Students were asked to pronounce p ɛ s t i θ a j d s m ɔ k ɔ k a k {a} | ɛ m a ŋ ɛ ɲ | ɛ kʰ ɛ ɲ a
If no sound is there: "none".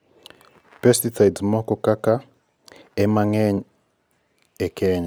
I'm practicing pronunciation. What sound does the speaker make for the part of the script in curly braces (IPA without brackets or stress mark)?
a